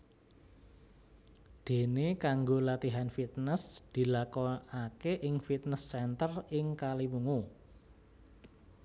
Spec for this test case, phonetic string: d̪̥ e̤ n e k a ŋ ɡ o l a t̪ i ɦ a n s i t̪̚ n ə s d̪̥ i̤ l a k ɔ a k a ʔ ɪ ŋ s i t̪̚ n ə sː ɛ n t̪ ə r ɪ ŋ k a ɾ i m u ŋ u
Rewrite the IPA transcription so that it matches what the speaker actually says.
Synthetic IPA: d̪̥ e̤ n e k a ŋ ɡ o l a t̪ i ɦ a n f i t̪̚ n ə s d̪̥ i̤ l a k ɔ a k e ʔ ɪ ŋ f i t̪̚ n ə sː ɛ n t̪ ə r ɪ ŋ k a l i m u ŋ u